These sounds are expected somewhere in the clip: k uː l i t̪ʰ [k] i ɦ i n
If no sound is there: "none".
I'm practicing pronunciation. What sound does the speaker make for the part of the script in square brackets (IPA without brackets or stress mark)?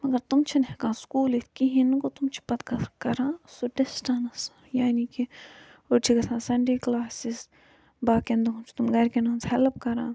k